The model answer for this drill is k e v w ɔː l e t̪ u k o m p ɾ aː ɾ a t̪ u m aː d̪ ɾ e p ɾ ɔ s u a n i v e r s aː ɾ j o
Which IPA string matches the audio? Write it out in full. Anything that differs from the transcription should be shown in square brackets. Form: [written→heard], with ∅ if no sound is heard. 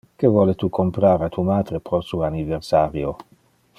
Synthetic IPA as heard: k e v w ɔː l e t̪ u k o m p ɾ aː ɾ a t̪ u m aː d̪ ɾ e p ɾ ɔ s u a n i v e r s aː ɾ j o